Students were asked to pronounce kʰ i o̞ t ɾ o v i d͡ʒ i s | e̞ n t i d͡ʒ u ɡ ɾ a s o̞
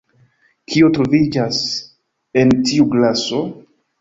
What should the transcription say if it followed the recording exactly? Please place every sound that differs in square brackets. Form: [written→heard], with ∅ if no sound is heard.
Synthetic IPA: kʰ i o̞ t ɾ o v i d͡ʒ [i→a] s | e̞ n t i [d͡ʒ→∅] u ɡ [ɾ→l] a s o̞